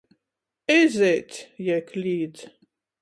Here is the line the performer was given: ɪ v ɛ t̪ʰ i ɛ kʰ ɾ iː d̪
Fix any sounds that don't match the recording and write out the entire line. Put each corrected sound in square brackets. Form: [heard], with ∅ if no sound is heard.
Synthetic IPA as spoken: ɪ [z] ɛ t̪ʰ [j] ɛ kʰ [l] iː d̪